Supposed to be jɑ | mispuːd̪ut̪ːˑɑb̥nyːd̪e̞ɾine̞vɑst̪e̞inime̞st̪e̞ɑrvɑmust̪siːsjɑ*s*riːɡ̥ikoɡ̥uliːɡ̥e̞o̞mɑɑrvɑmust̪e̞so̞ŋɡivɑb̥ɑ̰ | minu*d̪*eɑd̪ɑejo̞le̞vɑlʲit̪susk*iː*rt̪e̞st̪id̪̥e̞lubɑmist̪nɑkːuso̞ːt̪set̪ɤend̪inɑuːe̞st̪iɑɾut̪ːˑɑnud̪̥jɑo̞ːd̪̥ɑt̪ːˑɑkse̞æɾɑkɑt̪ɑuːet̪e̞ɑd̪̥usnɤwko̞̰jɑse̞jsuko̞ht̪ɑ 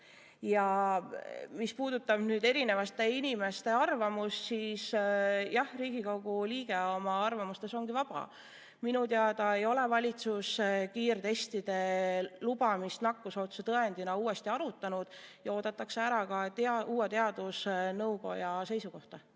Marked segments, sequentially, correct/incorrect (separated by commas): incorrect, incorrect, correct